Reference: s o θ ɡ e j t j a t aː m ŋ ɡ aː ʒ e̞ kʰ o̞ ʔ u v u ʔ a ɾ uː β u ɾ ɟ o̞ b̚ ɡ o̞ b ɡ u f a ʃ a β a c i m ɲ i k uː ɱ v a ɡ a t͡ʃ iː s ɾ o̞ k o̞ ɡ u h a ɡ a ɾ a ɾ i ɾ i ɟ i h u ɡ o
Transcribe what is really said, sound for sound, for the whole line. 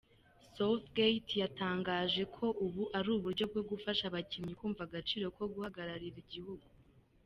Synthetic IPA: s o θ ɡ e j t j a t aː ŋ ɡ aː ʒ e̞ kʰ o̞ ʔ u β u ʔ a ɾ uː β u ɾ ɟ o̞ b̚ ɡ o̞ b ɡ u f a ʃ a β a c i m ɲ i k uː ɱ v a ɡ a t͡ʃ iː ɾ o̞ k o̞ ɡ u h a ɡ a ɾ a ɾ i ɾ i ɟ i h u ɡ u